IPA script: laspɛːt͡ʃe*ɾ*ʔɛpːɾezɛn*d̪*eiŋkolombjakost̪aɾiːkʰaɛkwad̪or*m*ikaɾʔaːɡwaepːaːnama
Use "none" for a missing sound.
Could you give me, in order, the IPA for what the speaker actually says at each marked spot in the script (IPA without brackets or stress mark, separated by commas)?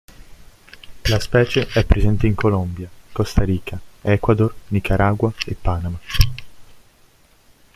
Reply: none, t̪, n